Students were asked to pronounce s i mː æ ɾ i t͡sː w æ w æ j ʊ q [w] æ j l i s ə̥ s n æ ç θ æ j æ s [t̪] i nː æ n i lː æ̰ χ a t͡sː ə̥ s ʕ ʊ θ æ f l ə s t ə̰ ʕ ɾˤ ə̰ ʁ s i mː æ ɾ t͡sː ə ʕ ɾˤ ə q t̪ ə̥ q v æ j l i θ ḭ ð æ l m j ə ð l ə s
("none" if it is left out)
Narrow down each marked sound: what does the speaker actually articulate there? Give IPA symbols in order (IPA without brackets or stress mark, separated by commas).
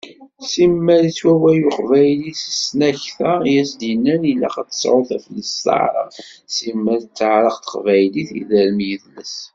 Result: v, d̪